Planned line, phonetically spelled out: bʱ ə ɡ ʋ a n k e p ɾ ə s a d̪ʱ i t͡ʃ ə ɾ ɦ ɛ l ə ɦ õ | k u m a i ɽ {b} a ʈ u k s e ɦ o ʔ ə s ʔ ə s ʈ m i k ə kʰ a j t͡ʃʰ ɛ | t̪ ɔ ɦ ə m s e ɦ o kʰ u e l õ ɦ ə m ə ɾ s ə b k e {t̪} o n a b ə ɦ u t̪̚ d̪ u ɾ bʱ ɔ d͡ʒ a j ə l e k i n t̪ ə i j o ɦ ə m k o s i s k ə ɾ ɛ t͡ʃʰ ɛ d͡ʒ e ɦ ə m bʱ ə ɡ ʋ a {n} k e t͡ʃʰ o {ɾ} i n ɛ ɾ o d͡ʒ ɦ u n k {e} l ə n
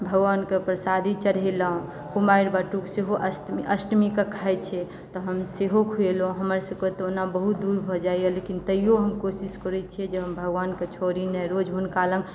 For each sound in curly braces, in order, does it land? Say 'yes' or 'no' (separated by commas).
yes, yes, yes, yes, no